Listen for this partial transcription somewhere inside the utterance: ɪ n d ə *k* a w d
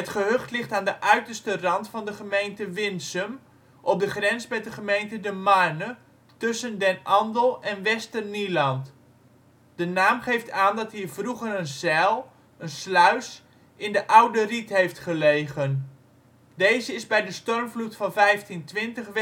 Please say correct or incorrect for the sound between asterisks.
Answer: incorrect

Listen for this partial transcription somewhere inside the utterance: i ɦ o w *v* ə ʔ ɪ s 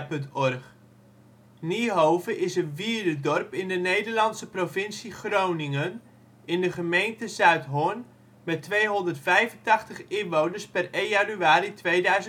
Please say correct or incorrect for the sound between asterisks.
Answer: correct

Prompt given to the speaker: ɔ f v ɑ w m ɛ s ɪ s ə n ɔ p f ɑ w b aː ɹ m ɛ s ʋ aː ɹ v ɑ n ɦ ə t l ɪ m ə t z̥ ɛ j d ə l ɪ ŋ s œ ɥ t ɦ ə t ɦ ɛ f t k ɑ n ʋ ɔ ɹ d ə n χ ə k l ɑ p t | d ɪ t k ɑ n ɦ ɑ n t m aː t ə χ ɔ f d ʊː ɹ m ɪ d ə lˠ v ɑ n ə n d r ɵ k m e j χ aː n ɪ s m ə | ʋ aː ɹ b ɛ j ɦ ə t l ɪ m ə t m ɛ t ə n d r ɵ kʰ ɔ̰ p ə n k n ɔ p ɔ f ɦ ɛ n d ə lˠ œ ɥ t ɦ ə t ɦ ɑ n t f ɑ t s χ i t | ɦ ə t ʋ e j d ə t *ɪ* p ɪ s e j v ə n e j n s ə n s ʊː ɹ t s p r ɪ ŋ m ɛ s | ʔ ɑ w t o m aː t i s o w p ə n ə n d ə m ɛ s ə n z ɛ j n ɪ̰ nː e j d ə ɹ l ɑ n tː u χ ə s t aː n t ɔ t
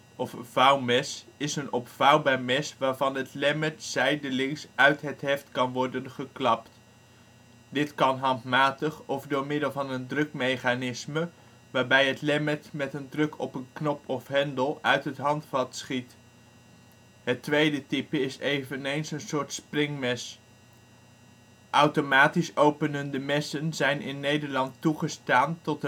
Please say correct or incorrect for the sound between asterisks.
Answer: incorrect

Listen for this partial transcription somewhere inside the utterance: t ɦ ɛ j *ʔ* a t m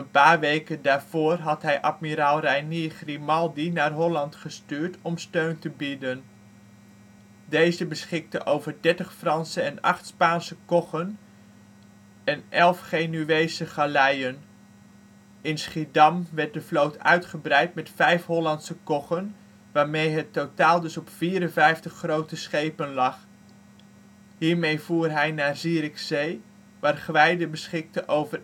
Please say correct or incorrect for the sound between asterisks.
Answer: correct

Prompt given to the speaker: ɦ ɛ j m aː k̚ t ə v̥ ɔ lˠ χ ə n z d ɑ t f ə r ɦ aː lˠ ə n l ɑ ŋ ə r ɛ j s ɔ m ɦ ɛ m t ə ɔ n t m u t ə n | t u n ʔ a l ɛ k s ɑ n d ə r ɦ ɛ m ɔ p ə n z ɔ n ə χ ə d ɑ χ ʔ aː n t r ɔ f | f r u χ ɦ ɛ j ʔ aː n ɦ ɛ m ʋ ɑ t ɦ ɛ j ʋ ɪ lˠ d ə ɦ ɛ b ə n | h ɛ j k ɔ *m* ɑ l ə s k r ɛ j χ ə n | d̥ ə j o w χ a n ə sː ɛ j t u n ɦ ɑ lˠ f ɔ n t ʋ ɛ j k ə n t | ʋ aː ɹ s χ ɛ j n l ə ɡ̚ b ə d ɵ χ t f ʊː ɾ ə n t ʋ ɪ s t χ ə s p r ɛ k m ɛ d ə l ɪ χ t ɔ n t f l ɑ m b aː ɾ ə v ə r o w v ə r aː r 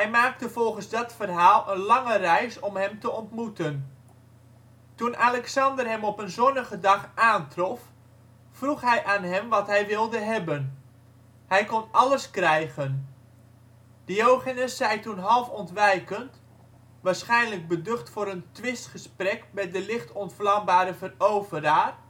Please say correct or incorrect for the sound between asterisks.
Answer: incorrect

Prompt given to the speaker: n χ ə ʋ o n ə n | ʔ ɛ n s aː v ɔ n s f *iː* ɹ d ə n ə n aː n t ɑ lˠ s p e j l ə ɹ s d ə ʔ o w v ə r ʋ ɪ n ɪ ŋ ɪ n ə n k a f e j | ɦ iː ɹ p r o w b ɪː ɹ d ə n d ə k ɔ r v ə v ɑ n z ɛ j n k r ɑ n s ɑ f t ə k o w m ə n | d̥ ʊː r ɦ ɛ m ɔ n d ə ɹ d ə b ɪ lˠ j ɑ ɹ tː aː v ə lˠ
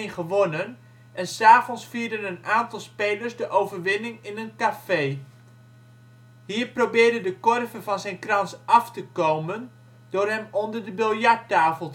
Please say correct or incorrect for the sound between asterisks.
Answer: correct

